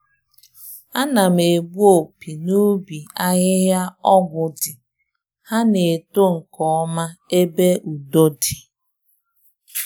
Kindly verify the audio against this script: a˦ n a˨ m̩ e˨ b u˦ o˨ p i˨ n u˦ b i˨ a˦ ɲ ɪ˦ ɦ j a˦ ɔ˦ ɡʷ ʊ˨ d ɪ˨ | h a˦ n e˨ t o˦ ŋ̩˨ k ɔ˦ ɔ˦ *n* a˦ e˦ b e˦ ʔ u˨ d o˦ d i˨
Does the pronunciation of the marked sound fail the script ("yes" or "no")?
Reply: yes